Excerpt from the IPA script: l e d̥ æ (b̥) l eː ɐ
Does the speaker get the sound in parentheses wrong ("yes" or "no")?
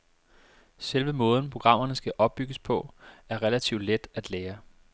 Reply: yes